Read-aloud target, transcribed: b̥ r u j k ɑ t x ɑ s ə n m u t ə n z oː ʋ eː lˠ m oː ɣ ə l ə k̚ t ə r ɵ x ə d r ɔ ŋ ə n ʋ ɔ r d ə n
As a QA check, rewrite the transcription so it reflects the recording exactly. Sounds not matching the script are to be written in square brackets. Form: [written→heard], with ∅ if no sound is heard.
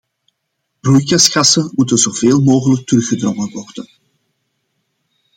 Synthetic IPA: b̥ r u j k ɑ [t→s] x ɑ s ə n m u t ə n z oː [ʋ→v] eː lˠ m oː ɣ ə l ə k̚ t ə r ɵ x ə d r ɔ ŋ ə n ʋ ɔ r d ə n

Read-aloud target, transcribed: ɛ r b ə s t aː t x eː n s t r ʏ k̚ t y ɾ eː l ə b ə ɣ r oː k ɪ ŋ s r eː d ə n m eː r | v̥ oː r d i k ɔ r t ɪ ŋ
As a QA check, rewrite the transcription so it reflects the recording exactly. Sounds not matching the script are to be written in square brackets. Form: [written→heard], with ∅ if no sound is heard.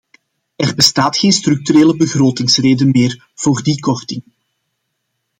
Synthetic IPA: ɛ r b ə s t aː t x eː n s t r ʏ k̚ t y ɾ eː l ə b ə ɣ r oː [k→t] ɪ ŋ s r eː d ə n m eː r | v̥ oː r d i k ɔ r t ɪ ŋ

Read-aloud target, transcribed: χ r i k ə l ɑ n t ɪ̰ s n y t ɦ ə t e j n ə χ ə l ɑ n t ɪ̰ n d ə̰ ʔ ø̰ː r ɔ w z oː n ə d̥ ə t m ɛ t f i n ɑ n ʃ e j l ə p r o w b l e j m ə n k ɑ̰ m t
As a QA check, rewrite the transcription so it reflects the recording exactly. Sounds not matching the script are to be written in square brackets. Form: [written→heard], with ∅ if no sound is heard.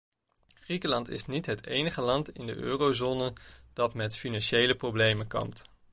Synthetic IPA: χ r i k ə l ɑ n t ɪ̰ s n [y→i] t ɦ ə t e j n ə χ ə l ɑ n t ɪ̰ n d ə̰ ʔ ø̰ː r [ɔ→o] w z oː n ə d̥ [ə→ɑ] t m ɛ t f i n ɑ n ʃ e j l ə p r o w b l e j m ə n k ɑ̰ m t

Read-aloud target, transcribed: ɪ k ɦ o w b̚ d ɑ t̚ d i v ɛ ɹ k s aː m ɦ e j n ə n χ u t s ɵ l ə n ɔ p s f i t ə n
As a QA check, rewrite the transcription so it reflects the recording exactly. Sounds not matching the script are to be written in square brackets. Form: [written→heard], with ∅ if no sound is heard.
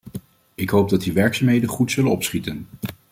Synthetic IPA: ɪ k ɦ o w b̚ d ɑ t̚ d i [v→ʋ] ɛ ɹ k s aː m ɦ e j [n→d] ə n χ u t s ɵ l ə n ɔ p s [f→χ] i t ə n

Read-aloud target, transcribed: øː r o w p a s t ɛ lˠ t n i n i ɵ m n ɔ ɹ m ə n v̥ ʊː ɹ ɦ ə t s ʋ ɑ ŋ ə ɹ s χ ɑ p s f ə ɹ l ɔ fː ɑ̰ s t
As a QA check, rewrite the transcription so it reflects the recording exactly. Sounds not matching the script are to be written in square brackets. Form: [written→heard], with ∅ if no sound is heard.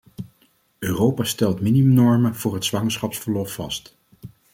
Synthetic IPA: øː r o w p a s t ɛ lˠ t [n→m] i n i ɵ m n ɔ ɹ m ə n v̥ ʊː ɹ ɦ ə t s ʋ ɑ ŋ ə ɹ s χ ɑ p s f ə ɹ l ɔ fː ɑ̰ s t

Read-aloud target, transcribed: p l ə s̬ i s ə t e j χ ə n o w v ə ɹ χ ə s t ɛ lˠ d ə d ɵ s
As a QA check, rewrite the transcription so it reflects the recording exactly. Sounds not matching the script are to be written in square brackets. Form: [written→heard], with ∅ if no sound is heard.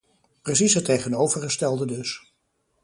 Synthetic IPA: p [l→r] ə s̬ i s ə t e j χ ə n o w v ə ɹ χ ə s t ɛ lˠ d ə d ɵ s

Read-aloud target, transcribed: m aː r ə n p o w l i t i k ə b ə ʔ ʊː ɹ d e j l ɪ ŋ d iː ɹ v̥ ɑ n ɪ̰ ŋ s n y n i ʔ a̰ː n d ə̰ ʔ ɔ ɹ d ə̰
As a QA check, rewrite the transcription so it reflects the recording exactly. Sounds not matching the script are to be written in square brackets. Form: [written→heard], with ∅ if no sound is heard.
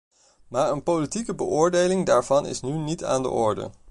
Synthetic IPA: m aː [r→ɹ] ə n p o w l i t i k ə b ə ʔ ʊː ɹ d e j l ɪ ŋ d [iː→aː] ɹ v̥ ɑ n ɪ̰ [ŋ→∅] s n y n i [ʔ→t] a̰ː n d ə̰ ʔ ɔ ɹ d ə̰

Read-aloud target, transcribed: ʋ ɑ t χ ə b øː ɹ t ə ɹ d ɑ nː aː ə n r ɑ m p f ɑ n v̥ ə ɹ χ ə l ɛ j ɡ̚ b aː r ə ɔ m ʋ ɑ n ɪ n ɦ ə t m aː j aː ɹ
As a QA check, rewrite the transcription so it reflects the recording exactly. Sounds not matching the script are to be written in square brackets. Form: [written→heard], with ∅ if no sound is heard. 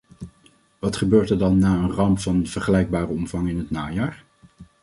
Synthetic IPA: ʋ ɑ t χ ə b øː ɹ t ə ɹ d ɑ nː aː ə n r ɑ m p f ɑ n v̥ ə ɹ χ ə l ɛ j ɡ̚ b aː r ə ɔ m [ʋ→v] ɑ [n→ŋ] ɪ n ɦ ə t [m→n] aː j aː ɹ

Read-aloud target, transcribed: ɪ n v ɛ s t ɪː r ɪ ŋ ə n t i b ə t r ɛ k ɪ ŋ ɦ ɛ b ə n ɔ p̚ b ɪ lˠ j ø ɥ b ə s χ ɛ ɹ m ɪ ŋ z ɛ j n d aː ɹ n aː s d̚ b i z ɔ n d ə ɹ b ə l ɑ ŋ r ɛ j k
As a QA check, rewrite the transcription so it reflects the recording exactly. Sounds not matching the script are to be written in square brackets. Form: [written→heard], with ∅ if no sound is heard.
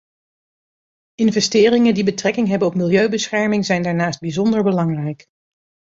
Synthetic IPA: ɪ n v ɛ s t ɪː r ɪ ŋ ə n [t→d] i b ə t r ɛ k ɪ ŋ ɦ ɛ b ə n ɔ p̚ [b→m] ɪ lˠ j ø ɥ b ə s χ ɛ ɹ m ɪ ŋ z ɛ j n d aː ɹ n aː s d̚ b i z ɔ n d ə ɹ b ə l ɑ ŋ r ɛ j k

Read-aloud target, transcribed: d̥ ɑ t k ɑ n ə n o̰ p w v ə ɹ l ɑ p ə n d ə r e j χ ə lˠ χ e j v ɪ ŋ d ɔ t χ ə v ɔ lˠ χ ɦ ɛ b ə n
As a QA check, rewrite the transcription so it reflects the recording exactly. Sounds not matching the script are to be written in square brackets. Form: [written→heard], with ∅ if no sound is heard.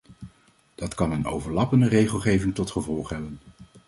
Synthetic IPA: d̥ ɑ t k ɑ n ə n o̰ [p→∅] w v ə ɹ l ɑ p ə n d ə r e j χ ə lˠ χ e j v ɪ ŋ [d→t] ɔ t χ ə v ɔ lˠ χ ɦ ɛ b ə n

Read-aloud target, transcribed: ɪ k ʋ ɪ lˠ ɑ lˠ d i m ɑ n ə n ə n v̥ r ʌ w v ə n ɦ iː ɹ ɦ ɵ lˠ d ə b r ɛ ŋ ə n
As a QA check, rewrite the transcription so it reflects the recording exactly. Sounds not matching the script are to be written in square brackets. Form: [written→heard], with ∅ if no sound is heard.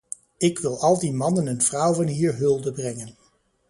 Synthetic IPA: ɪ k ʋ ɪ lˠ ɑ lˠ d i m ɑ n ə n ə n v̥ r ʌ w v [ə→ɑ] n ɦ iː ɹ ɦ ɵ lˠ d ə b r ɛ ŋ ə n

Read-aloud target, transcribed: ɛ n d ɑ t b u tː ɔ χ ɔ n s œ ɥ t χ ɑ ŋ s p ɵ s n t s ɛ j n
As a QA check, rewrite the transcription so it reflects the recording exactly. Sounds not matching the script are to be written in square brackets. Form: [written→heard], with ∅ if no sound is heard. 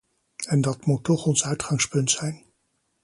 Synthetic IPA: ɛ n d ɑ t [b→m] u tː ɔ χ ɔ n s œ ɥ t χ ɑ ŋ s p ɵ [s→∅] n t s ɛ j n

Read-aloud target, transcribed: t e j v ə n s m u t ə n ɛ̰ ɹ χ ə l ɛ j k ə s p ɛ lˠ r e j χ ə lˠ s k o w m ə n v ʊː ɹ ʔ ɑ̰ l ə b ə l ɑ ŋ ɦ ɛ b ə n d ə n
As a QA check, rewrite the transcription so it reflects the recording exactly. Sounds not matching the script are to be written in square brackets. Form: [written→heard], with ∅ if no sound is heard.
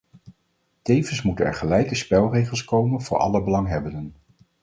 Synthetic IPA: t e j v ə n s m u t ə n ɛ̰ ɹ χ ə l ɛ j k ə s p ɛ lˠ r e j χ ə lˠ s k o w m ə n v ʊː ɹ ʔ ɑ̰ l ə b ə l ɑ ŋ ɦ ɛ b ə n d ə n

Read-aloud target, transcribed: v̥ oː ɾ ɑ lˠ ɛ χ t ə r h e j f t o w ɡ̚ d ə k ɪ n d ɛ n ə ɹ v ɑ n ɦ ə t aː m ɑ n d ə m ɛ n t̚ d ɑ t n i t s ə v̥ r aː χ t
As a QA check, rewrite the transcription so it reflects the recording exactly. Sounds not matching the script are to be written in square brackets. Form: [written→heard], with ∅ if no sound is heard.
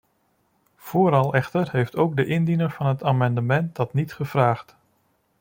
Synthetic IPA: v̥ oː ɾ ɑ lˠ ɛ χ t ə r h e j f t o w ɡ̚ d ə [k→ʔ] ɪ n d [ɛ→i] n ə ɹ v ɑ n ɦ ə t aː m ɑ n d ə m ɛ n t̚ d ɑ t n i t [s→χ] ə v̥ r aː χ t

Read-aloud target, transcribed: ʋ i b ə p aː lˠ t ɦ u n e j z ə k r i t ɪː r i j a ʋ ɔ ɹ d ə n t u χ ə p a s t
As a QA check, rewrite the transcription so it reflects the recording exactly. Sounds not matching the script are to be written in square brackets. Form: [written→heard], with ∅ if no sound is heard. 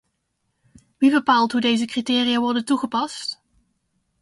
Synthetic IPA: ʋ i b ə p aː lˠ t ɦ u [n→d] e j z ə k r i t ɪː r i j a ʋ ɔ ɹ d ə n t u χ ə p [a→ɑ] s t

